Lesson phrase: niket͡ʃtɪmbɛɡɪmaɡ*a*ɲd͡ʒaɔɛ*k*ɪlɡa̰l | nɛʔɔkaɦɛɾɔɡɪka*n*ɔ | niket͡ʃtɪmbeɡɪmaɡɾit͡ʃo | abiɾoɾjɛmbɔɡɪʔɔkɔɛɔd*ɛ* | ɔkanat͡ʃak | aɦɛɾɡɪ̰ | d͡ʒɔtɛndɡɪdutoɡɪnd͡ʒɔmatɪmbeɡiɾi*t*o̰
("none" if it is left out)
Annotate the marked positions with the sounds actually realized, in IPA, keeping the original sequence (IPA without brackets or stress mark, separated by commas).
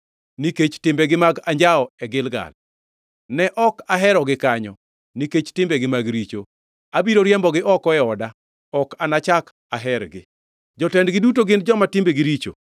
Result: a, ɡ, ɲ, a, t͡ʃ